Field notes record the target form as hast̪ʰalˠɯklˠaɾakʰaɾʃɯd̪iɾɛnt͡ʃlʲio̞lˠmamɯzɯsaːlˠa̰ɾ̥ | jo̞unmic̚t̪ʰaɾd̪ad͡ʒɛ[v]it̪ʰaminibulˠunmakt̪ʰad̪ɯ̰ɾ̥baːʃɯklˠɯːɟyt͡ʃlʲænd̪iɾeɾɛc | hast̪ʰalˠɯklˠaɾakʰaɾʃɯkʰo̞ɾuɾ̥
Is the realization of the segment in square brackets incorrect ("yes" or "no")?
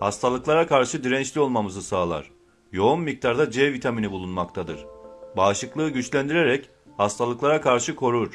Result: no